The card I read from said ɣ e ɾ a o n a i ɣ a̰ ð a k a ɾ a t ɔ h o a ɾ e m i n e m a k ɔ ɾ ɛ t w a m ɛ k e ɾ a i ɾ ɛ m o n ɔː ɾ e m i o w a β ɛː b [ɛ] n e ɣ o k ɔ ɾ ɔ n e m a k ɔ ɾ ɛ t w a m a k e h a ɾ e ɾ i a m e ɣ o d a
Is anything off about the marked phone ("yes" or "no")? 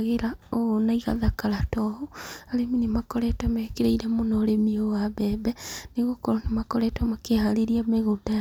no